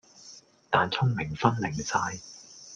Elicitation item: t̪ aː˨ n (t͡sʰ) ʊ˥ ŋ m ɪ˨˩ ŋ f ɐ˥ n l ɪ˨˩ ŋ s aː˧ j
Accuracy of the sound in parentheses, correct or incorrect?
correct